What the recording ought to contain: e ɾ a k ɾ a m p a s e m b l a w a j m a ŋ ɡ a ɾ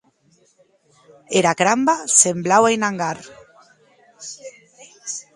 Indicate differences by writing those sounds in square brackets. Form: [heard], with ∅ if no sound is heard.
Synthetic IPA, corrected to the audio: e ɾ a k ɾ a m [b] a s e m b l a w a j [n] a ŋ ɡ a ɾ